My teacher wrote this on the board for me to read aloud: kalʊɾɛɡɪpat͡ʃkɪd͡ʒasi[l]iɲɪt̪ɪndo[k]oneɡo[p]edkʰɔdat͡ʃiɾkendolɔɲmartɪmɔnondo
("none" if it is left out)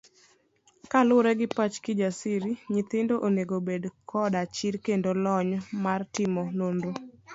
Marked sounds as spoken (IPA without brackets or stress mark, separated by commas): ɾ, ʔ, b